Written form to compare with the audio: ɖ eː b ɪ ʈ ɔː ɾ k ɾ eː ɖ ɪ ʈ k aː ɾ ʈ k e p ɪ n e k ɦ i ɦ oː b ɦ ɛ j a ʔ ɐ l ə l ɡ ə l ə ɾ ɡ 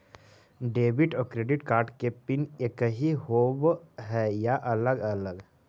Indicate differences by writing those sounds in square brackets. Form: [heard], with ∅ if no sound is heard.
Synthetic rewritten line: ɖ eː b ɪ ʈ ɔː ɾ k ɾ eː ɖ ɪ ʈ k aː ɾ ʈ k e p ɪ n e k ɦ i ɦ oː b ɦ ɛ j a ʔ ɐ l ə [∅] ɡ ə l ə [∅] ɡ